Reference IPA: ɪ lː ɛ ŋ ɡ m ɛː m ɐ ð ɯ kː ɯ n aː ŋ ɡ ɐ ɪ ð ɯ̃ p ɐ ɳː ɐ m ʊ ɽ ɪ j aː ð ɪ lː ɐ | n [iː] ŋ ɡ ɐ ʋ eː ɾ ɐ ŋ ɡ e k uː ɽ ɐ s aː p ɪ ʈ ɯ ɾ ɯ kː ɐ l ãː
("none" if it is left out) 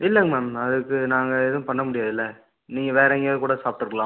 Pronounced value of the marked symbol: iː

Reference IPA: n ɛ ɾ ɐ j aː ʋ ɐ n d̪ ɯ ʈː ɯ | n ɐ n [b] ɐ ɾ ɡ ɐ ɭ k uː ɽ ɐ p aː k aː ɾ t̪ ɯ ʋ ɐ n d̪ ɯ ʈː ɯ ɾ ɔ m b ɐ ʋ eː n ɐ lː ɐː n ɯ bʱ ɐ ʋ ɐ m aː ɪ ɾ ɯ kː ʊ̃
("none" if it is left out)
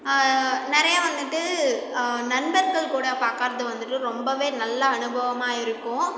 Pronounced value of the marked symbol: b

